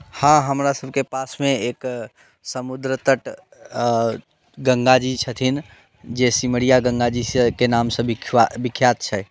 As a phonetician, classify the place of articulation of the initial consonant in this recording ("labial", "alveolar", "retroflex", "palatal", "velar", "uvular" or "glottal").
glottal